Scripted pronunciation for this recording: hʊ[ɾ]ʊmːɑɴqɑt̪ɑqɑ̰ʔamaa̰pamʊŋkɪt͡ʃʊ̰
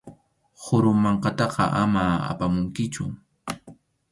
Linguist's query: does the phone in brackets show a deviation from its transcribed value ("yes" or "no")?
no